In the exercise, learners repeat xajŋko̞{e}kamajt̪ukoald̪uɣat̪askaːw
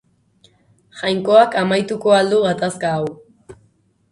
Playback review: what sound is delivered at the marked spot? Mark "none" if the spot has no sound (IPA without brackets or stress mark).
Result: a